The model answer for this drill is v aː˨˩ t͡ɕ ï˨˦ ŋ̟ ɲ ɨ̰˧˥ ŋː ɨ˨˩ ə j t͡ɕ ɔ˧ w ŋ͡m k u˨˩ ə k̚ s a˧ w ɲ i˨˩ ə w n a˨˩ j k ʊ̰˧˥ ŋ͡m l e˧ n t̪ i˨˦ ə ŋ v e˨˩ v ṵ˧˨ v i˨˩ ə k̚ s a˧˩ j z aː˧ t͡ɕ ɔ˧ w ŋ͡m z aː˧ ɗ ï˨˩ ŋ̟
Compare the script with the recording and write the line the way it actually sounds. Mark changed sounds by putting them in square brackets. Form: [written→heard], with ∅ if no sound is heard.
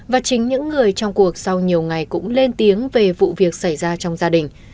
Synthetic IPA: v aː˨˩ t͡ɕ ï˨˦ ŋ̟ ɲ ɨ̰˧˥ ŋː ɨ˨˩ ə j t͡ɕ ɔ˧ w ŋ͡m k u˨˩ ə k̚ s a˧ w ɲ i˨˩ ə w [n→ŋ] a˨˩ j k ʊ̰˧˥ ŋ͡m l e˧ n t̪ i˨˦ ə ŋ v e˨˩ v ṵ˧˨ v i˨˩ ə k̚ s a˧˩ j z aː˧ t͡ɕ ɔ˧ w ŋ͡m z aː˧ ɗ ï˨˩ ŋ̟